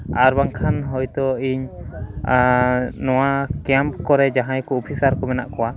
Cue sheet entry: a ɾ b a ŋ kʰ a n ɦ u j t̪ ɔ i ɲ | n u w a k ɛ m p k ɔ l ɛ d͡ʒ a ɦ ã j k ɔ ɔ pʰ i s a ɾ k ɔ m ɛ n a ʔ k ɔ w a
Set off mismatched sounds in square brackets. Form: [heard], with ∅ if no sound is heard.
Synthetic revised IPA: a ɾ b a ŋ kʰ a n ɦ [ɔ] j t̪ ɔ i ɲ | n [ɔ] w a k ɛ m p k ɔ [ɾ] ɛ d͡ʒ a ɦ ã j k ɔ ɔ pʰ i s a ɾ k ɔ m ɛ n a ʔ k ɔ w a

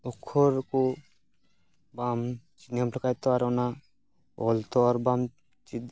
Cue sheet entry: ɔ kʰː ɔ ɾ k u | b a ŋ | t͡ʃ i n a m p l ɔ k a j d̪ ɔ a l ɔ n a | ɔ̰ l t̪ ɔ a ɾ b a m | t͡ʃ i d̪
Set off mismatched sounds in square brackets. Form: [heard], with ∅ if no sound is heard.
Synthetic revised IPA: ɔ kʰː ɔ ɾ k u | b a [m] | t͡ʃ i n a m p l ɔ k a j [t̪] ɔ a [ɾ] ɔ n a | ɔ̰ l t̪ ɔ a ɾ b a m | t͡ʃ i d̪

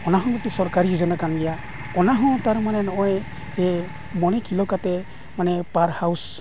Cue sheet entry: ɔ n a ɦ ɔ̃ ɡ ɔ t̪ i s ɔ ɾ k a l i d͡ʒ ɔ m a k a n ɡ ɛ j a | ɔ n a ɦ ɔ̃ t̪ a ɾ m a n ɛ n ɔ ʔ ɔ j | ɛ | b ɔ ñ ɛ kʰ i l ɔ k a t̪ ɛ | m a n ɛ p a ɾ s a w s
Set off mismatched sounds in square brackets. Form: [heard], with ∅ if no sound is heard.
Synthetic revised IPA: ɔ n a ɦ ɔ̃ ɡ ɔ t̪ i s ɔ ɾ k a [ɾ] i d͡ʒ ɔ [n] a k a n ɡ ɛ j a | ɔ n a ɦ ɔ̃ t̪ a ɾ m a n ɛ n ɔ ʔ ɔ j | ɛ | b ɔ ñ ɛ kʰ i l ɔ k a t̪ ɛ | m a n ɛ p a ɾ [h] a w s

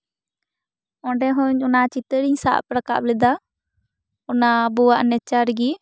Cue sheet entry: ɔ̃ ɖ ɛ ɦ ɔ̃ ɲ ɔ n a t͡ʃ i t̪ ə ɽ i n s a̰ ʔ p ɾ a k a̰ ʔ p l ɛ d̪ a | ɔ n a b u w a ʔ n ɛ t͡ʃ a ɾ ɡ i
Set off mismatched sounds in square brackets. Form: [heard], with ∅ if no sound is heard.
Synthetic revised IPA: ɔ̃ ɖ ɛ ɦ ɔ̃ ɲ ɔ n a t͡ʃ i t̪ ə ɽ i [ɲ] s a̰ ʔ p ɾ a k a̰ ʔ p l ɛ d̪ a | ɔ n a b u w a ʔ n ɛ t͡ʃ a ɾ ɡ i

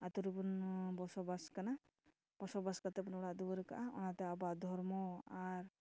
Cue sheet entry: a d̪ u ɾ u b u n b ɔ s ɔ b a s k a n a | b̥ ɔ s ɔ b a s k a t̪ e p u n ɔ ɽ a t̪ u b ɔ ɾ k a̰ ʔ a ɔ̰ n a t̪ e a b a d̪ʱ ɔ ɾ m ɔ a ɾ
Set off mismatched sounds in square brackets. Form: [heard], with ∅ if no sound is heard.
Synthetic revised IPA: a [t̪] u ɾ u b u n b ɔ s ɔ b a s k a n a | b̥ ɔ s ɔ b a s k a t̪ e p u n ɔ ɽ a [d̪] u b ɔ ɾ k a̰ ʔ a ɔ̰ n a t̪ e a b a d̪ʱ ɔ ɾ m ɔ a ɾ

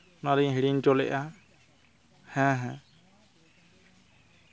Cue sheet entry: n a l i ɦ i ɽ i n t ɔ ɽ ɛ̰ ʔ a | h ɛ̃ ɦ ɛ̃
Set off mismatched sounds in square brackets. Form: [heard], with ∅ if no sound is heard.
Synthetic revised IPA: n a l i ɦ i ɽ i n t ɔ [l] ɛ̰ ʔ a | h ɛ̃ ɦ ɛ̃

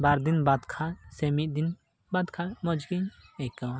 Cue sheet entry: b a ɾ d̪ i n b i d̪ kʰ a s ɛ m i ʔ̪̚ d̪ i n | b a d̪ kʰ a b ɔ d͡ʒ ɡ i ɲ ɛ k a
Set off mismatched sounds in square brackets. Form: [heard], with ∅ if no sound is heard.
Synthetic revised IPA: b a ɾ d̪ i n b [a] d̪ kʰ a s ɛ m i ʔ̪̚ d̪ i n | b a d̪ kʰ a [m] ɔ d͡ʒ ɡ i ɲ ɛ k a

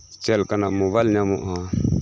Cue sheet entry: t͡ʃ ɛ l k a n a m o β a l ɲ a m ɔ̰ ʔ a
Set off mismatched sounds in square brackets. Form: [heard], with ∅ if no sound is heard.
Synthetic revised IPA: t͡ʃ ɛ l k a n a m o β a l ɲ a m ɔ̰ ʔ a

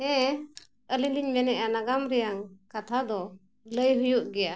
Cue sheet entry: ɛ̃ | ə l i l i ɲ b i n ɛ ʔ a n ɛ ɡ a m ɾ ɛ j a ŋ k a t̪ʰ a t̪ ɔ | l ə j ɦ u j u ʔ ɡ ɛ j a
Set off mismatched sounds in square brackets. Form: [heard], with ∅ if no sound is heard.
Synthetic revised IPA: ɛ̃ | ə l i l i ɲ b [ɛ] n ɛ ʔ a n [a] ɡ a m ɾ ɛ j a ŋ k a t̪ʰ a [d̪] ɔ | l ə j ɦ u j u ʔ ɡ ɛ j a

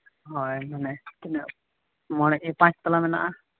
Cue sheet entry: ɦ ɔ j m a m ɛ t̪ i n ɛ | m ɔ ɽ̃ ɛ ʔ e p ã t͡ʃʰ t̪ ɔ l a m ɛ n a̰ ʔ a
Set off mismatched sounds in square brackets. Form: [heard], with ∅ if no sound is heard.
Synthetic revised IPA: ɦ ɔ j m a [n] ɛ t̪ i n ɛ | m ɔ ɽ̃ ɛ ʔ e p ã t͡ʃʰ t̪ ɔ l a m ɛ n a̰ ʔ a

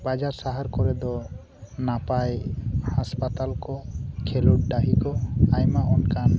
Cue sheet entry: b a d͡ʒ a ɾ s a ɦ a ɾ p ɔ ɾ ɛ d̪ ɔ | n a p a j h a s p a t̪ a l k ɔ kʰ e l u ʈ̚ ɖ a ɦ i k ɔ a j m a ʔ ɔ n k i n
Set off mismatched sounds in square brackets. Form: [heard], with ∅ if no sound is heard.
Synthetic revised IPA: b a d͡ʒ a ɾ s a ɦ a ɾ [k] ɔ ɾ ɛ d̪ ɔ | n a p a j h a s p a t̪ a l k ɔ kʰ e l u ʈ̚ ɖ a ɦ i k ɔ a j m a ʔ ɔ n k [a] n

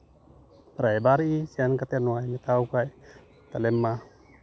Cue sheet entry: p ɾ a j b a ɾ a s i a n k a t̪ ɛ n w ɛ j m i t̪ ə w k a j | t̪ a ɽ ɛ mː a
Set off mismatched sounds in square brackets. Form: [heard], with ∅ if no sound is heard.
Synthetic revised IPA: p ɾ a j b a ɾ [i] s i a n k a t̪ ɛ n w [a] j m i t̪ [a] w k a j | t̪ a [l] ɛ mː a

